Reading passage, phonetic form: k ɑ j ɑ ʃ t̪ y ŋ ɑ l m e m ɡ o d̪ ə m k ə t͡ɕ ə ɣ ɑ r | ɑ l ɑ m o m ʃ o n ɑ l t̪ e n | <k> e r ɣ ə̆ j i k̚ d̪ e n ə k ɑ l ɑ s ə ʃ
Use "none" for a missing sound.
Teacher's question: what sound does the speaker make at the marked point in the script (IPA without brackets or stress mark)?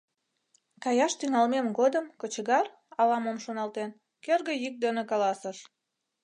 k